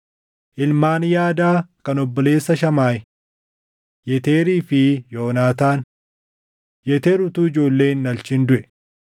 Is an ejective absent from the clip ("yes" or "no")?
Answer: yes